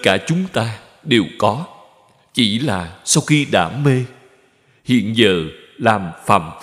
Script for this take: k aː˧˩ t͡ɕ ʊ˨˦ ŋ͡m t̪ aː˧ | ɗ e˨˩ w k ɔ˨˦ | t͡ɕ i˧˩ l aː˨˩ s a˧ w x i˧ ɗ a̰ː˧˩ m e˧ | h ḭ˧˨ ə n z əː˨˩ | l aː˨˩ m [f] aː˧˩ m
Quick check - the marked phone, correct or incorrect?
correct